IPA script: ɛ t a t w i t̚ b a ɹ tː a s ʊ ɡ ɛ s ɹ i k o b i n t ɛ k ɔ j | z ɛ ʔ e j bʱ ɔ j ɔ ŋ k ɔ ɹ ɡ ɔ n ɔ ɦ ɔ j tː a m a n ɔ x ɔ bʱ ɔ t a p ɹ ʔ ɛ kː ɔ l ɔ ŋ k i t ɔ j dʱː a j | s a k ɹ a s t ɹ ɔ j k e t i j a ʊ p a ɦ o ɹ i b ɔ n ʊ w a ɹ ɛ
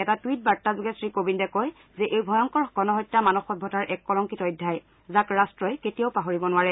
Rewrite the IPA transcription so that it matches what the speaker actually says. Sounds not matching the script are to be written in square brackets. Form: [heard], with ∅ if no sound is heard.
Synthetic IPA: ɛ t a t w i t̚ b a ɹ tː a [z] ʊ ɡ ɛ s ɹ i k o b i n [d] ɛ k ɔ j | z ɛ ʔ e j bʱ ɔ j ɔ ŋ k ɔ ɹ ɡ ɔ n ɔ ɦ ɔ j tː a m a n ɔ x ɔ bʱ ɔ t a [∅] ɹ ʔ ɛ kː ɔ l ɔ ŋ k i t ɔ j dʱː a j | [z] a k ɹ a s t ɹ ɔ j k e t i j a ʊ p a ɦ o ɹ i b ɔ n ʊ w a ɹ ɛ

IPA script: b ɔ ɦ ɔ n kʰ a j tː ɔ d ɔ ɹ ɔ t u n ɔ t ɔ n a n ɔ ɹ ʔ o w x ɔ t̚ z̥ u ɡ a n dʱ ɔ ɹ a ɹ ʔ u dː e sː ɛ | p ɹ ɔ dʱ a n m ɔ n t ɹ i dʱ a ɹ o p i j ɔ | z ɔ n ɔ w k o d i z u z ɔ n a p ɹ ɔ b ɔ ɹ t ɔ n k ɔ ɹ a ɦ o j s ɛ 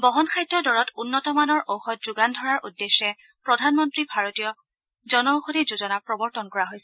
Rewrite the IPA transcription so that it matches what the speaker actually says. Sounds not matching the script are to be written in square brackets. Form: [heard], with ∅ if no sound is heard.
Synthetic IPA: b ɔ ɦ ɔ n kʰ a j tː ɔ d ɔ ɹ ɔ t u [nː] ɔ t ɔ [m] a n ɔ ɹ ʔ o w x ɔ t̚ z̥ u ɡ a n dʱ ɔ ɹ a ɹ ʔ u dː e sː ɛ | p ɹ ɔ dʱ a n m ɔ n t ɹ i [bʱ] a ɹ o [t] i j ɔ | z ɔ n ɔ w [x] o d i z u z ɔ n a p ɹ ɔ b ɔ ɹ t ɔ n k ɔ ɹ a ɦ o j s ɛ

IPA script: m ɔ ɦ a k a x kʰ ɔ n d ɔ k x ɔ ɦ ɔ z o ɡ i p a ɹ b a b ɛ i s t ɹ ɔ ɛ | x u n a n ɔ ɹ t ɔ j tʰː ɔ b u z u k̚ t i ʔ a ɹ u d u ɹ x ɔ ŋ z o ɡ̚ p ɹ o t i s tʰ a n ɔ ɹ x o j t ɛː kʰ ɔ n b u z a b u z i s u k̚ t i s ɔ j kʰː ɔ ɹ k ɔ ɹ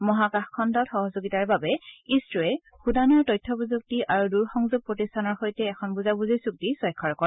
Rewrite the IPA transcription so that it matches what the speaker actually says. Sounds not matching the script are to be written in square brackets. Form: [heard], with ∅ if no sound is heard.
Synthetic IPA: m ɔ ɦ a k a x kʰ ɔ n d ɔ [t] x ɔ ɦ ɔ z o ɡ i [t] a ɹ b a b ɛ i s t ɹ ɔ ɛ | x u [d] a n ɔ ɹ t ɔ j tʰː ɔ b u z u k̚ t i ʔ a ɹ u d u ɹ x ɔ ŋ z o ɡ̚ p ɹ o t i s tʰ a n ɔ ɹ x o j t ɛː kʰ ɔ n b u z a b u z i s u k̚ t i s ɔ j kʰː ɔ ɹ k ɔ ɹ

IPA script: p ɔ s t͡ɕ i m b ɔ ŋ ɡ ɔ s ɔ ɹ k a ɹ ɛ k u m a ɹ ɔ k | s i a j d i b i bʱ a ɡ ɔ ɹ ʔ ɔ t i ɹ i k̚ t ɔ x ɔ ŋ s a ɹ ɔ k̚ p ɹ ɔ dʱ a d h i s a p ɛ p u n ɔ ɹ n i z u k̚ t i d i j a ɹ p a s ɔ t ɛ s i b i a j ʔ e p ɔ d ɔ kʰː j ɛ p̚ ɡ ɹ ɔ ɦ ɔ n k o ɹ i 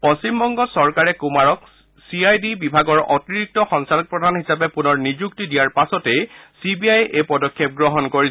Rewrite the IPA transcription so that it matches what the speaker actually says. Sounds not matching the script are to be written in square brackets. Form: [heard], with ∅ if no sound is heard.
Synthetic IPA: p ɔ s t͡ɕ i m b ɔ ŋ ɡ ɔ s ɔ ɹ k a ɹ ɛ k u m a ɹ ɔ k | s i a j d i b i bʱ a ɡ ɔ ɹ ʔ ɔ t i ɹ i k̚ t ɔ x ɔ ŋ s a [l] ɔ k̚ p ɹ ɔ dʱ a [n] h i s a p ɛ p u n ɔ ɹ n i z u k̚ t i d i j a ɹ p a s ɔ t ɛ s i b i a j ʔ e p ɔ d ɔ kʰː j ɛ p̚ ɡ ɹ ɔ ɦ ɔ n k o ɹ i

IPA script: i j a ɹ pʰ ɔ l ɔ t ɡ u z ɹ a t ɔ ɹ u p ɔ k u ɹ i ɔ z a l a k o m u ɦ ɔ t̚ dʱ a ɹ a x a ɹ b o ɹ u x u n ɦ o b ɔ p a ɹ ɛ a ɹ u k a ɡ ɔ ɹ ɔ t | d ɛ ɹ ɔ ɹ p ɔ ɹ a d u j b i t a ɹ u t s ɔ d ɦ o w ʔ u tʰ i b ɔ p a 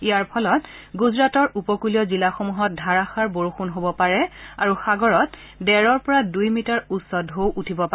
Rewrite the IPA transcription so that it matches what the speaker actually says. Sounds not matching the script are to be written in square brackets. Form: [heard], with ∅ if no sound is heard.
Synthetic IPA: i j a ɹ pʰ ɔ l ɔ t ɡ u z ɹ a t ɔ ɹ u p ɔ k u [l] i ɔ z [i] l a [x] o m u ɦ ɔ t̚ dʱ a ɹ a x a ɹ b o ɹ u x u n ɦ o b ɔ p a ɹ ɛ a ɹ u [x] a ɡ ɔ ɹ ɔ t | d ɛ ɹ ɔ ɹ p ɔ ɹ a d u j [m] i t a ɹ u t s ɔ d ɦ o w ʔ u tʰ i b ɔ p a

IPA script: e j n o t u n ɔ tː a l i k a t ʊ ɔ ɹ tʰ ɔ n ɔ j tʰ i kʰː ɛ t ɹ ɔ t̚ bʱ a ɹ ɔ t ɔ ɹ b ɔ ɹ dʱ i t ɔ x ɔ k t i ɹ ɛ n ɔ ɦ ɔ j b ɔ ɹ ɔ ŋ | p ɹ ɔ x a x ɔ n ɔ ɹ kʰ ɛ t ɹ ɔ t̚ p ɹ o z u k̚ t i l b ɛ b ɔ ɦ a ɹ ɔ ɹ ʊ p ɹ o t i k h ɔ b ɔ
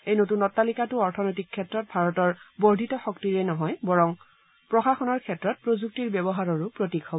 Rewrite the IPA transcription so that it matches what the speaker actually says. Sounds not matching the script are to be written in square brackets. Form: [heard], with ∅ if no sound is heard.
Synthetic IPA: e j n o t u n ɔ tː a l i k a t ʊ ɔ ɹ tʰ ɔ n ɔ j [t] i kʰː ɛ t ɹ ɔ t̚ bʱ a ɹ ɔ t ɔ ɹ b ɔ ɹ dʱ i t ɔ x ɔ k t i ɹ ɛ n ɔ ɦ ɔ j b ɔ ɹ ɔ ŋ | p ɹ ɔ x a x ɔ n ɔ ɹ kʰ ɛ t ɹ ɔ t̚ p ɹ o z u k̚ t i [ɹ] b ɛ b ɔ ɦ a ɹ ɔ ɹ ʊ p ɹ o t i k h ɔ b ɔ

